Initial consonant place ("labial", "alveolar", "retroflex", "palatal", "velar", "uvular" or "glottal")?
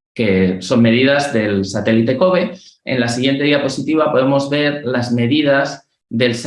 velar